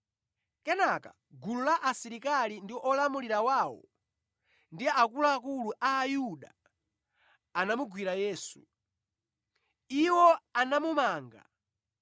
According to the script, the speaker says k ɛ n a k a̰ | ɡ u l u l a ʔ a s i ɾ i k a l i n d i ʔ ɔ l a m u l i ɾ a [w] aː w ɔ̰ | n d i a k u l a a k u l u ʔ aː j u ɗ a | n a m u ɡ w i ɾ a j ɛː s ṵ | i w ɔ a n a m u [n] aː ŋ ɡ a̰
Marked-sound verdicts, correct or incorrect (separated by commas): correct, incorrect